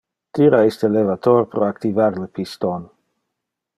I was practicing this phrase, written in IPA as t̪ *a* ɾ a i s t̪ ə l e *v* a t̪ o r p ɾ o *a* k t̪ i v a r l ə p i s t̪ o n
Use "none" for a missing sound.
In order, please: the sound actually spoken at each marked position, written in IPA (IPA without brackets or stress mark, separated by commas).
i, v, a